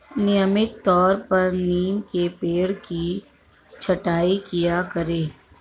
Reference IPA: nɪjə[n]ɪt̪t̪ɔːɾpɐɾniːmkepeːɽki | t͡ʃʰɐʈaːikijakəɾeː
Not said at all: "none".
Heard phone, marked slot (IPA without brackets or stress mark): m